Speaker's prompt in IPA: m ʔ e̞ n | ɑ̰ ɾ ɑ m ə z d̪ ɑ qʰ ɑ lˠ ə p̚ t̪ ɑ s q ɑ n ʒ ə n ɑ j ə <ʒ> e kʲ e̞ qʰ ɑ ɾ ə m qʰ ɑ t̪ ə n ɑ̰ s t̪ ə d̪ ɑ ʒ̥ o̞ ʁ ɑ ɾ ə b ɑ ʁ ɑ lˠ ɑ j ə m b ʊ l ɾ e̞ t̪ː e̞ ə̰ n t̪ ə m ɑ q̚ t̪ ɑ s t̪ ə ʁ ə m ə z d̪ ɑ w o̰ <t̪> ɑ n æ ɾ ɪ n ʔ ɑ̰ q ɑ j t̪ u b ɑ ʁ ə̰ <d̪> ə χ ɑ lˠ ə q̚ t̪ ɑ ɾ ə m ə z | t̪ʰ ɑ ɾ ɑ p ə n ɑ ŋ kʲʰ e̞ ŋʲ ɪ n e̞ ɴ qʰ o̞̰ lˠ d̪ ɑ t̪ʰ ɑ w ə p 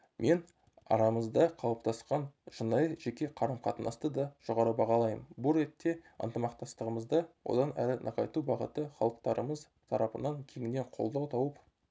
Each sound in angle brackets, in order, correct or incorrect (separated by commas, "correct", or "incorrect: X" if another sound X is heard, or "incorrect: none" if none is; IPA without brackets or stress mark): correct, incorrect: d̪, incorrect: t̪